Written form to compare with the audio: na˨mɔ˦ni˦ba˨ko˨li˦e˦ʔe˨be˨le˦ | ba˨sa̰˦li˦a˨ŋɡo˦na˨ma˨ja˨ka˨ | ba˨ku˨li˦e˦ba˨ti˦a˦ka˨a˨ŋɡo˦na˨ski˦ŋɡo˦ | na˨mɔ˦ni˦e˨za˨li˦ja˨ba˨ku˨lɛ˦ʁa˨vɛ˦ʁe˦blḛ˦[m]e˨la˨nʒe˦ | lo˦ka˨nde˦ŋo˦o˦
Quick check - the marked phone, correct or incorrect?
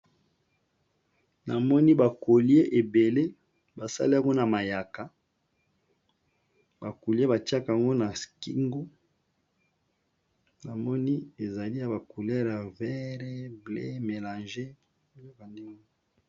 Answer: correct